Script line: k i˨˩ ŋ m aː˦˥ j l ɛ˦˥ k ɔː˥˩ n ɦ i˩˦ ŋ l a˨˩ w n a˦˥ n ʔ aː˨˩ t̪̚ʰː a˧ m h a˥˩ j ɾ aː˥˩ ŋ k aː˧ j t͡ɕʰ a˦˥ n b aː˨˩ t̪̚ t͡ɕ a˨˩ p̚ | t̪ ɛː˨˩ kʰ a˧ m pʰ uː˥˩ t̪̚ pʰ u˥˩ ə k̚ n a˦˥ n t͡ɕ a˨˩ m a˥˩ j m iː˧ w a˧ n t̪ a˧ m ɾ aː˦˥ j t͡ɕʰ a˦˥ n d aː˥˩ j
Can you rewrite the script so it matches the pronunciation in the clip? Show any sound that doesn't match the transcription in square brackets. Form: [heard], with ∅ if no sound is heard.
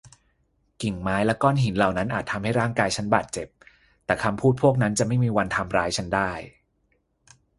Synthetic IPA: k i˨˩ ŋ m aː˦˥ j l ɛ˦˥ k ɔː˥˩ n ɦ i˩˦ [n] l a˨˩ w n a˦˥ n ʔ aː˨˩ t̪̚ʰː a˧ m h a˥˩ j ɾ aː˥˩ ŋ k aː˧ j t͡ɕʰ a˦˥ n b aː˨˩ t̪̚ t͡ɕ [e˨˩] p̚ | t̪ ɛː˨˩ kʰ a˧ m pʰ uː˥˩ t̪̚ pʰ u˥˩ ə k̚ n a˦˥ n t͡ɕ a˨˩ m a˥˩ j m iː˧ w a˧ n [t̪ʰ] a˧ m ɾ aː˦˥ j t͡ɕʰ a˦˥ n d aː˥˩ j